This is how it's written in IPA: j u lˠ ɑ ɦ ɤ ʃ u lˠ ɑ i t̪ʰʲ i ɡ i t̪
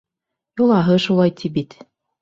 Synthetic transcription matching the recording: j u lˠ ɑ ɦ ɤ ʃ u lˠ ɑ j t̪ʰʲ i b i t̪